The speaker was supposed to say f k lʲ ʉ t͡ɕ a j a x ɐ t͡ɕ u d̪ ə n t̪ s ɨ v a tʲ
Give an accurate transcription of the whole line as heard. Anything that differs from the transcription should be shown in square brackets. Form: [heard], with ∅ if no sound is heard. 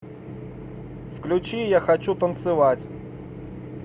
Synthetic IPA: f k lʲ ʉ t͡ɕ [i] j a x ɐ t͡ɕ u [t̪] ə n t̪ s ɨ v a tʲ